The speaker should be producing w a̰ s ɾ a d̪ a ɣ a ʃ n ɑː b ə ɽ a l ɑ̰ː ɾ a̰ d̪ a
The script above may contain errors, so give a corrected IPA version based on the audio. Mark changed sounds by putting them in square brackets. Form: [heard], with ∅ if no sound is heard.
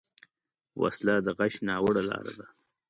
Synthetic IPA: w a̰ s [l] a d̪ [ə] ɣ a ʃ n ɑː [w] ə ɽ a l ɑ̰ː ɾ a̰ d̪ a